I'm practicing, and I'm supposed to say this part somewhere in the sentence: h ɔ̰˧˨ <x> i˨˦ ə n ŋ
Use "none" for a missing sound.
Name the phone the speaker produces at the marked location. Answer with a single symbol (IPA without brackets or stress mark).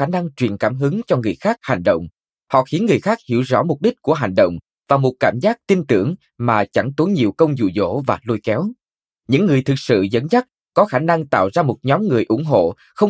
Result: x